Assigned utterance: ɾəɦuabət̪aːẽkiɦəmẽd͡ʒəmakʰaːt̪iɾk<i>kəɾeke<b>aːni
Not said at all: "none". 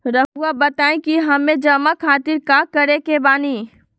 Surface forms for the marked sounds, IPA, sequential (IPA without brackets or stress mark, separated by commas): a, b